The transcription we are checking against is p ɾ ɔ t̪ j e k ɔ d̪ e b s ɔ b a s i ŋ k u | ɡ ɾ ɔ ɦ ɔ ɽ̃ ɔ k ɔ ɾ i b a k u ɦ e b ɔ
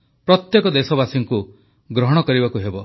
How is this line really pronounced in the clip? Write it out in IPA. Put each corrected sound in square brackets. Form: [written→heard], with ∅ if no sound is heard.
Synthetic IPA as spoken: p ɾ ɔ t̪ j e k ɔ d̪ e [b→∅] s ɔ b a s i ŋ k u | ɡ ɾ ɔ ɦ ɔ ɽ̃ ɔ k ɔ ɾ i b a k u ɦ e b ɔ